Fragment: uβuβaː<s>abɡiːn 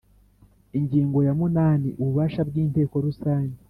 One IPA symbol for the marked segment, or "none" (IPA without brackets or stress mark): ʃ